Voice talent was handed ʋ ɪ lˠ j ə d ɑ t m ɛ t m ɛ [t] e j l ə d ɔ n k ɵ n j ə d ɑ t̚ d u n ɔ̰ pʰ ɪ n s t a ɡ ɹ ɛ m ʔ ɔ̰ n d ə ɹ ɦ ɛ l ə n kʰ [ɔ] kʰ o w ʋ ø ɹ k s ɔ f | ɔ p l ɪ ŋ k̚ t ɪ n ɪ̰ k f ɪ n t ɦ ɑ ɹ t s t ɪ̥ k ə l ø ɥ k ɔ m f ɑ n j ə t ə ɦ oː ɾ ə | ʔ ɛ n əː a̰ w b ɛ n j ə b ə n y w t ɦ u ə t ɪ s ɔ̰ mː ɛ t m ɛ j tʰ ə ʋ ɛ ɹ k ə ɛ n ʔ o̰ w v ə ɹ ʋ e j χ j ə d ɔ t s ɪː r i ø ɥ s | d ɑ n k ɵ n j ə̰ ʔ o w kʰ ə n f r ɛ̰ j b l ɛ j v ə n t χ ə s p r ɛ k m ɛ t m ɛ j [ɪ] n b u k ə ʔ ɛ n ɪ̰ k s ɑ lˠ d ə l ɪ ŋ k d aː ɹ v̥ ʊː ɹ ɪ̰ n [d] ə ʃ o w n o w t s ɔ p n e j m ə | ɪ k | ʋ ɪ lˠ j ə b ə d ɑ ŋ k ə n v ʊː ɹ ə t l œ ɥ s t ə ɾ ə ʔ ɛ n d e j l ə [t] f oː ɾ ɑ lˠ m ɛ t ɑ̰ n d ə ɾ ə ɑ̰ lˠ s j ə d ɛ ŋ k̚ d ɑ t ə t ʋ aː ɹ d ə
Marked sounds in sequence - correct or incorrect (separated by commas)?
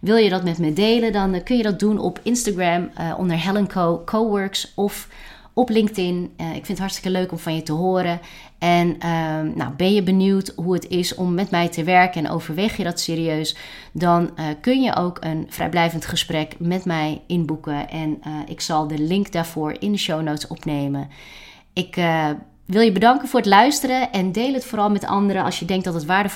incorrect, incorrect, correct, correct, correct